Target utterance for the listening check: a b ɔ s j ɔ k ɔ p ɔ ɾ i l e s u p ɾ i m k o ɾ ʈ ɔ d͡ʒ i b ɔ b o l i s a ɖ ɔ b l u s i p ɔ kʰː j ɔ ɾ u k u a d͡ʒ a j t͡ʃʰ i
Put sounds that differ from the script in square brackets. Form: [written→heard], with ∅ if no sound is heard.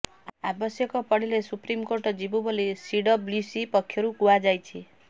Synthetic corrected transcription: a b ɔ s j ɔ k ɔ p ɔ [ɾ→ɽ] i l e s u p ɾ i m k o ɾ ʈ ɔ d͡ʒ i b [ɔ→u] b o l i s [a→i] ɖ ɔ b l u s i p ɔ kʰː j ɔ ɾ u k u a d͡ʒ a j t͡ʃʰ i